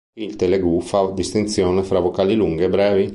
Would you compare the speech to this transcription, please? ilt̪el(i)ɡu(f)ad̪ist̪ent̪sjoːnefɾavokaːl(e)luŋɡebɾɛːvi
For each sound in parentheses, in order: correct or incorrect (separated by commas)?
incorrect, correct, incorrect